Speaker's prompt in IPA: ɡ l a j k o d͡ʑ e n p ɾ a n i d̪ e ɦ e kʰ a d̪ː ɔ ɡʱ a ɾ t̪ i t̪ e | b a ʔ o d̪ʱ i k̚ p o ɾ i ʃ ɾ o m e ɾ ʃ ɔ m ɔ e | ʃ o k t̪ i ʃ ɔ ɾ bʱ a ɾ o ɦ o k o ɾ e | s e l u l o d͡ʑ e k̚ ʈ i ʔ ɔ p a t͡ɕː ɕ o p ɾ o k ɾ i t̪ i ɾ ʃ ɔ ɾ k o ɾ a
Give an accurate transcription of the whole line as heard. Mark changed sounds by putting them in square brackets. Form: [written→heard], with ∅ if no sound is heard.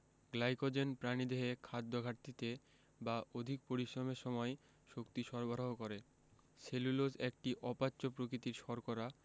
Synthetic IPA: ɡ l a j k o d͡ʑ e n p ɾ a n i d̪ e ɦ e kʰ a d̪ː [ɔ→o] ɡʱ a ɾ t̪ i t̪ e | b a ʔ o d̪ʱ i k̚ p o ɾ i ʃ ɾ o m e ɾ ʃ ɔ m ɔ e | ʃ o k t̪ i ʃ ɔ ɾ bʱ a ɾ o ɦ o k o ɾ e | s e l u l o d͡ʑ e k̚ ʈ i ʔ ɔ p a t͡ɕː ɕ o p ɾ o k ɾ i t̪ i ɾ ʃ ɔ ɾ k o ɾ a

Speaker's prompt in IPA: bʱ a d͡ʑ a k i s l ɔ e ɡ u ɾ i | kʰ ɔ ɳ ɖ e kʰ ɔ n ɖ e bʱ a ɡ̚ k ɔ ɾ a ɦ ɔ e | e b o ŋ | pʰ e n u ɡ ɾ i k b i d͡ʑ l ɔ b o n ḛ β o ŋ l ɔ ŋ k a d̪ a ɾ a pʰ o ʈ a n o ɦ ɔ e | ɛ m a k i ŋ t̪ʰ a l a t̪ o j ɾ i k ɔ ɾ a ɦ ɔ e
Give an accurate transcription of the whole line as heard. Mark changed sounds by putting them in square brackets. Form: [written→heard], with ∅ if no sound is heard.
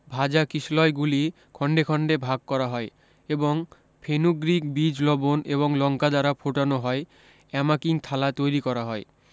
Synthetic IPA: bʱ a d͡ʑ a k i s l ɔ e ɡ u [ɾ→l] i | kʰ ɔ ɳ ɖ e kʰ ɔ [n→ɳ] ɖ e bʱ a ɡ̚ k ɔ ɾ a ɦ ɔ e | e b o ŋ | pʰ e n u ɡ ɾ i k b i d͡ʑ l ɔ b o n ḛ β o ŋ l ɔ ŋ k a d̪ a ɾ a pʰ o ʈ a n o ɦ ɔ e | ɛ m a k i ŋ t̪ʰ a l a t̪ o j ɾ i k ɔ ɾ a ɦ ɔ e

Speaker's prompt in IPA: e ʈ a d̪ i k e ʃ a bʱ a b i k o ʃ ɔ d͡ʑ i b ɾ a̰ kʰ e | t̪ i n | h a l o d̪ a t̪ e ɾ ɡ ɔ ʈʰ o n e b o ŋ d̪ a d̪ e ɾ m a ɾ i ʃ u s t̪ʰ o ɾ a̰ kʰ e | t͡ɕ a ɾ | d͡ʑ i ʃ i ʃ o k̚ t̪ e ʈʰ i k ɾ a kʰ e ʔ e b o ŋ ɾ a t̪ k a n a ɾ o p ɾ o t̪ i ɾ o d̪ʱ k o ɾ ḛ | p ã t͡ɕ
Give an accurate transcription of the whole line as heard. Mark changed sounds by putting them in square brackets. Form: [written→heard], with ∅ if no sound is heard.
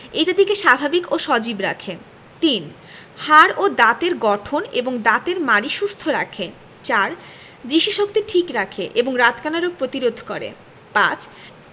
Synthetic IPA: e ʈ a d̪ i k e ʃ a bʱ a b i k o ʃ ɔ d͡ʑ i b ɾ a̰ kʰ e | t̪ i n | h a [l→ɾ] o d̪ a t̪ e ɾ ɡ ɔ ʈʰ o n e b o ŋ d̪ a [d̪→t̪] e ɾ m a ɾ i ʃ u s t̪ʰ o ɾ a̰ kʰ e | t͡ɕ a ɾ | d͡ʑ i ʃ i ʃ o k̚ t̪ e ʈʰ i k ɾ a kʰ e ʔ e b o ŋ ɾ a t̪ k a n a ɾ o p ɾ o t̪ i ɾ o d̪ʱ k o ɾ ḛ | p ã t͡ɕ

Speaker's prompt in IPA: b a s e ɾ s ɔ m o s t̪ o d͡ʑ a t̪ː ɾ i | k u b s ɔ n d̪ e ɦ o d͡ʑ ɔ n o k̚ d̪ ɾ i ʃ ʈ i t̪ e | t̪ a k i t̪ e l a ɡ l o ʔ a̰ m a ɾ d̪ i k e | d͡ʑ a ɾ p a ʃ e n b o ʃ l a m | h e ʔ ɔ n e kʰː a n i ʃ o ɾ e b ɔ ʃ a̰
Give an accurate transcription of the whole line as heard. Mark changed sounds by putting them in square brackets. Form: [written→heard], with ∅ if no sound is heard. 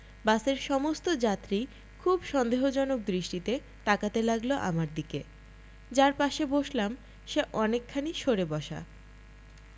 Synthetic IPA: b a s e ɾ [s→ʃ] ɔ m o s t̪ o d͡ʑ a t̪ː ɾ i | [k→kʰ] u b [s→ʃ] ɔ n d̪ e ɦ o d͡ʑ ɔ n o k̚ d̪ ɾ i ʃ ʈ i t̪ e | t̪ a k [i→a] t̪ e l a ɡ l o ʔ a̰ m a ɾ d̪ i k e | d͡ʑ a ɾ p a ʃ e [n→∅] b o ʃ l a m | [h→ʃ] e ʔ ɔ n e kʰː a n i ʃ o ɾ e b ɔ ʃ a̰

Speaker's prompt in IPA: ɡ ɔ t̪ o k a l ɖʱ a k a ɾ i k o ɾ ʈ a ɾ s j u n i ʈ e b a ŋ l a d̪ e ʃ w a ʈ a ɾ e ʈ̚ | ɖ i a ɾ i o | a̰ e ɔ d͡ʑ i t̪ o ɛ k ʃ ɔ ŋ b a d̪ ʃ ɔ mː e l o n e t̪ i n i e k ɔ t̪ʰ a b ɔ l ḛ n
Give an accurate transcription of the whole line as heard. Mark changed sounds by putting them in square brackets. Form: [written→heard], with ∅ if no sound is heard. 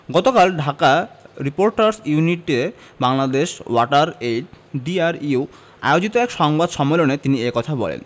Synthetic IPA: ɡ ɔ t̪ o k a l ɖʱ a k a ɾ i [k→p] o ɾ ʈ a ɾ s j u n i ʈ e b a ŋ l a d̪ e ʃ w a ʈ a ɾ e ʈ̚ | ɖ i a ɾ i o | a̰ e [ɔ→o] d͡ʑ i t̪ o ɛ k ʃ ɔ ŋ b a d̪ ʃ ɔ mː e l o n e t̪ i n i e k ɔ t̪ʰ a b ɔ l ḛ n

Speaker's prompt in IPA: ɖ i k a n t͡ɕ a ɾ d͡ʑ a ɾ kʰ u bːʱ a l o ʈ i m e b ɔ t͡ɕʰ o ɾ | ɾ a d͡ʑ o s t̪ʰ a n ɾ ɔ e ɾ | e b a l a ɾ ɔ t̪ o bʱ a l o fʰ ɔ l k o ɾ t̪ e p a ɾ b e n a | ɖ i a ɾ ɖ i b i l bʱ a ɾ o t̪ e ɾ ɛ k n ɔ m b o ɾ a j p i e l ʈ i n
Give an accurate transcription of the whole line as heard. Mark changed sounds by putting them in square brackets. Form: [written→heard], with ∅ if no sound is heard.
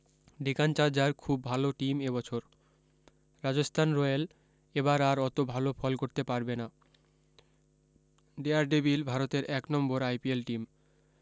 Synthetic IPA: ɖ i k a n t͡ɕ a ɾ d͡ʑ a ɾ kʰ u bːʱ a l o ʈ i m e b ɔ t͡ɕʰ o ɾ | ɾ a d͡ʑ o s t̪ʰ a n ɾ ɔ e [ɾ→l] | e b a [l→ɾ] a ɾ ɔ t̪ o bʱ a l o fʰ ɔ l k o ɾ t̪ e p a ɾ b e n a | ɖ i a ɾ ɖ i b i l bʱ a ɾ o t̪ e ɾ ɛ k n ɔ m b o ɾ a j p i e l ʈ i [n→m]

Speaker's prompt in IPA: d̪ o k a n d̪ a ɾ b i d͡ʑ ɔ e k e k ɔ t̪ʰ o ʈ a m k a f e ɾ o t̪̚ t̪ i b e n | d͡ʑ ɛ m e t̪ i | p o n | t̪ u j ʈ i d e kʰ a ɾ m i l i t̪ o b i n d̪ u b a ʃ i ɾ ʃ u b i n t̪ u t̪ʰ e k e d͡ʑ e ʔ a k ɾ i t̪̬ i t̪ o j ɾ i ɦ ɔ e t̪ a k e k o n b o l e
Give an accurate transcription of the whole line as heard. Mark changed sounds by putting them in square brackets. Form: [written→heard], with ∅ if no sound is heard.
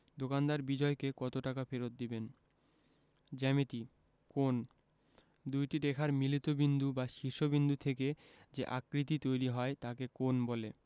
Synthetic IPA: d̪ o k a n d̪ a ɾ b i d͡ʑ ɔ e k e k ɔ [t̪ʰ→t̪] o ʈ a [m→∅] k a f e ɾ o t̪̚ [t̪→d̪] i b e n | d͡ʑ ɛ m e t̪ i | [p→k] o n | [t̪→d̪] u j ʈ i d e kʰ a ɾ m i l i t̪ o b i n d̪ u b a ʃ i ɾ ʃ [u→o] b i n [t̪→d̪] u t̪ʰ e k e d͡ʑ e ʔ a k ɾ i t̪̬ i t̪ o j ɾ i ɦ ɔ e t̪ a k e k o n b o l e

